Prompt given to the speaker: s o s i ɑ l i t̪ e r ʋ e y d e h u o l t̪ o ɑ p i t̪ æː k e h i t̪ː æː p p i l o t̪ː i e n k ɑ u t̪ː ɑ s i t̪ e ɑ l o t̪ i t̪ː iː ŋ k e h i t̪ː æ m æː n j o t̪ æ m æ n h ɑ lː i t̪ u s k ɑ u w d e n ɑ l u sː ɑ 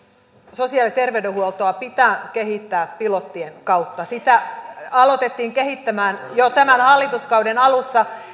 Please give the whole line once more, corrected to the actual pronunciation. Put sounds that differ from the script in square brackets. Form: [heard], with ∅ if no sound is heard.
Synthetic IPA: s o s i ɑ l i t̪ e r ʋ e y d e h u o l t̪ o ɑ p i t̪ æː k e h i t̪ː æː p p i l o t̪ː i e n k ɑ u t̪ː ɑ s i t̪ [æ] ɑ l o t̪ [e] t̪ː iː ŋ k e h i t̪ː æ m æː n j o t̪ æ m æ n h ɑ lː i t̪ u s k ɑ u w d e n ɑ l u sː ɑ